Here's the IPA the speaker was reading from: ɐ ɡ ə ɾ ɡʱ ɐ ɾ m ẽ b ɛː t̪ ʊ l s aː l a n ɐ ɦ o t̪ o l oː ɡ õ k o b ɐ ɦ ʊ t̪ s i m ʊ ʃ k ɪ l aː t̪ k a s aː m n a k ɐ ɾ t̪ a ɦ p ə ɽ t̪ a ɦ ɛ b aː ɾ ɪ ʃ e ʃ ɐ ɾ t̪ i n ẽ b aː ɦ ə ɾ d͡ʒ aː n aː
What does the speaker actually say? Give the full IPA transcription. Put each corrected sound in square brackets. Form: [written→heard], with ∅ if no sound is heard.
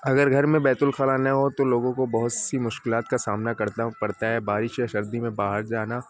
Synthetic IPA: ɐ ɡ ə ɾ ɡʱ ɐ ɾ m ẽ b ɛː t̪ ʊ l [s→x] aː l a n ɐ ɦ o t̪ o l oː ɡ õ k o b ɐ ɦ ʊ t̪ s i m ʊ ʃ k ɪ l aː t̪ k a s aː m n a k ɐ ɾ t̪ a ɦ p [ə→ɐ] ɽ t̪ a ɦ ɛ b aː ɾ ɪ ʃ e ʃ ɐ ɾ [t̪→d̪] i [n→m] ẽ b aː ɦ ə ɾ d͡ʒ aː n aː